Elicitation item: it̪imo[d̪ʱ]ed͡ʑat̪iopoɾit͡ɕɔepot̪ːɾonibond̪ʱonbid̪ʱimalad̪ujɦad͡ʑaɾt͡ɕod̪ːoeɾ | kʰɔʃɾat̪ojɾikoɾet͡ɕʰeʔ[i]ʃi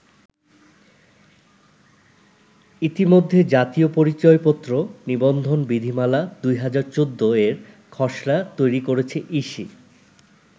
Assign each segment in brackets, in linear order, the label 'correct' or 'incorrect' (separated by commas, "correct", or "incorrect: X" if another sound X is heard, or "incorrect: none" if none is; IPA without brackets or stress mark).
incorrect: d̪ʱː, correct